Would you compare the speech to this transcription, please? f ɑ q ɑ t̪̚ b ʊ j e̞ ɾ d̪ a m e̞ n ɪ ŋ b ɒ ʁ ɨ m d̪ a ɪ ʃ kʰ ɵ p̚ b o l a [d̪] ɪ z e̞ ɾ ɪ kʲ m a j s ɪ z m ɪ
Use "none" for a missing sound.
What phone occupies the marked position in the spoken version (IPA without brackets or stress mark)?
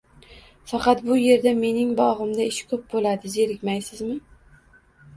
d̪